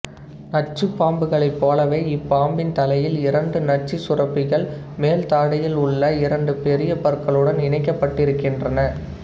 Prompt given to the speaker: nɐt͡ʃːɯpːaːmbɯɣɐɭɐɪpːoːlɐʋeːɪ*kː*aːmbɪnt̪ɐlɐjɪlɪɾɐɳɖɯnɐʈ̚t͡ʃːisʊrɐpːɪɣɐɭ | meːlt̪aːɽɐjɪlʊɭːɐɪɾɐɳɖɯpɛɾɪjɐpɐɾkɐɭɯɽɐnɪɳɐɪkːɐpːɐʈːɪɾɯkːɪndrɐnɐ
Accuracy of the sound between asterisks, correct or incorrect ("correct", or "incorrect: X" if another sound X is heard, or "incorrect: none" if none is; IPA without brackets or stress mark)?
incorrect: pː